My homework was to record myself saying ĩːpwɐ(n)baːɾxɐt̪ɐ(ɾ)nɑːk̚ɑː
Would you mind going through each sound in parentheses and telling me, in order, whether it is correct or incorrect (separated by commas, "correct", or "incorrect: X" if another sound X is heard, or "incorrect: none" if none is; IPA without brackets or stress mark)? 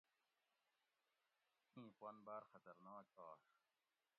correct, correct